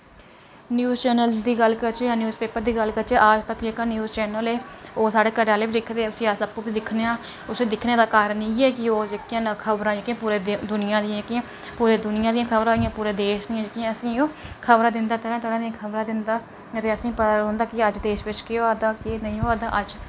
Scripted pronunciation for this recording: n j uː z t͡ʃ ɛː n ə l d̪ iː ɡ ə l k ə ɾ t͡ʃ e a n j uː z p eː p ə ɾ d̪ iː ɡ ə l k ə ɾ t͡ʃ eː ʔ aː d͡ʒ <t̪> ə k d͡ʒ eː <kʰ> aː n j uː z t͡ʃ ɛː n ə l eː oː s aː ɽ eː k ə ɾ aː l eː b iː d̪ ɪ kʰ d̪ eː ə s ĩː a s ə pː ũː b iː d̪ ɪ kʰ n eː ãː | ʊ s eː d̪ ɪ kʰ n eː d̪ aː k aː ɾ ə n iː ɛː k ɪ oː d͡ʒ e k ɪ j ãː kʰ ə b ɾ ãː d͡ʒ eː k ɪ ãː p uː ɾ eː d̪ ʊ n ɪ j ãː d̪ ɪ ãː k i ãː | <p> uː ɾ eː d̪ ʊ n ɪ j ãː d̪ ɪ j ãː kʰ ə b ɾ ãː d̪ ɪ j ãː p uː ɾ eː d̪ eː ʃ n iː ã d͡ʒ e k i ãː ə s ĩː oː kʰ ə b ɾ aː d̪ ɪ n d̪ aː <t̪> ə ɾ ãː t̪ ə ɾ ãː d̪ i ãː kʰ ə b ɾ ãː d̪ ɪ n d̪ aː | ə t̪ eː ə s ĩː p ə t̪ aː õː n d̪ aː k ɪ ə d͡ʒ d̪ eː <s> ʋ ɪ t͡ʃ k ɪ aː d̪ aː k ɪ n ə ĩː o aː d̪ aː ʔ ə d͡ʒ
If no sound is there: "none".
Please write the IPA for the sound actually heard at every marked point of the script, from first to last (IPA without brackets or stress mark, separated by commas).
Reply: t̪, k, p, t̪, ʃ